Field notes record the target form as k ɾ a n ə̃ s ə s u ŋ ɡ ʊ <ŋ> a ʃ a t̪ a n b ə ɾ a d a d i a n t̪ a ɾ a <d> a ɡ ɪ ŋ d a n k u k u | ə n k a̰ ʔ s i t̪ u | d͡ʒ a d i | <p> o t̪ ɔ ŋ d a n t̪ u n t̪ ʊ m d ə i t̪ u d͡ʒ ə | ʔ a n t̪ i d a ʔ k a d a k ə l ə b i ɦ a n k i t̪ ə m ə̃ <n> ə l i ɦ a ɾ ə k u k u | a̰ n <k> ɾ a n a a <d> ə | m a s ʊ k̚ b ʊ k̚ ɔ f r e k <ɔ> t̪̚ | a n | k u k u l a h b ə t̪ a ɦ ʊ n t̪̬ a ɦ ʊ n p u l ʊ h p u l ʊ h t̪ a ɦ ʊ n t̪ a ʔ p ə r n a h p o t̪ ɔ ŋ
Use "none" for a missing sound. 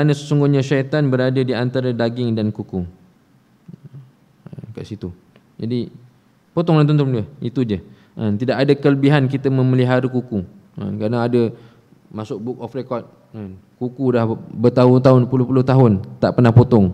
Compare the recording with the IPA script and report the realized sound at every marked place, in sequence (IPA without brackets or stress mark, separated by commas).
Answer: ɲ, d, p, m, k, d, ɔ